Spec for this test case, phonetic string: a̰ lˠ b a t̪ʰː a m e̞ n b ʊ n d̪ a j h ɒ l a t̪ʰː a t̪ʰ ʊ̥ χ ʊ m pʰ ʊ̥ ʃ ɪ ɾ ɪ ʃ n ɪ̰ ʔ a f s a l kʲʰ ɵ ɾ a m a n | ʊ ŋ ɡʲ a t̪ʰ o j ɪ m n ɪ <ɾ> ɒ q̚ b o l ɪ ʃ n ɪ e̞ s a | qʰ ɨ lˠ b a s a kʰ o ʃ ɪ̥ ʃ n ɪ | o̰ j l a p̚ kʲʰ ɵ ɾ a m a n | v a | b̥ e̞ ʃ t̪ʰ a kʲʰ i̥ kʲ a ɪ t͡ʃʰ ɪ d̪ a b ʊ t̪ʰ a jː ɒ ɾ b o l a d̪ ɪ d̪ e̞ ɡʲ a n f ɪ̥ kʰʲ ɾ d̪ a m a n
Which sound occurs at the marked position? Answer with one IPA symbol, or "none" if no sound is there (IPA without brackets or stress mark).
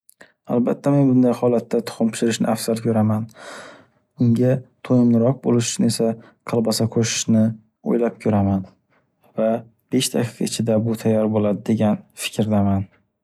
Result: ɾ